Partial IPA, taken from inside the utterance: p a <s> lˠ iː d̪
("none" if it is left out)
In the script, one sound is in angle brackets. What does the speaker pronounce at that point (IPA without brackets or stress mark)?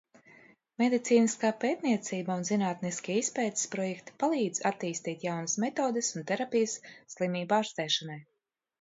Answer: none